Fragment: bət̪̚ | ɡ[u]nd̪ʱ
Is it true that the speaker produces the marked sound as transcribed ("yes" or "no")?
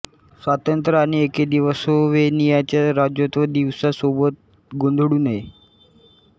no